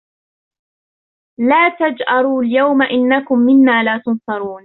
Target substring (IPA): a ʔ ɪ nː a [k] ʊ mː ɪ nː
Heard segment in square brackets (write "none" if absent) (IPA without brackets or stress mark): k